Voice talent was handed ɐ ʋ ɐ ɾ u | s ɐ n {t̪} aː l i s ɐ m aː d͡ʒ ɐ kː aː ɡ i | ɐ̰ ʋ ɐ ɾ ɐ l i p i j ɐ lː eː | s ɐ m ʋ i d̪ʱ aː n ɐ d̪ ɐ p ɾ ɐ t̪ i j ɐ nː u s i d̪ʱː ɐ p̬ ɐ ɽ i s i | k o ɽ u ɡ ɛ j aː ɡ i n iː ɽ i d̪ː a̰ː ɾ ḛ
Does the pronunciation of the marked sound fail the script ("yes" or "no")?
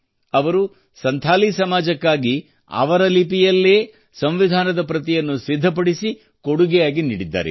yes